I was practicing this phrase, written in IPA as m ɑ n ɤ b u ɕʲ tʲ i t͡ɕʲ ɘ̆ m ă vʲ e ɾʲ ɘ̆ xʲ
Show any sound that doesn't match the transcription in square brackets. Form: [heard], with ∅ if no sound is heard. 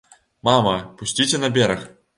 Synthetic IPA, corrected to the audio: m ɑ [m] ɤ [p] u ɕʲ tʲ i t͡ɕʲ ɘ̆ [n] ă [bʲ] e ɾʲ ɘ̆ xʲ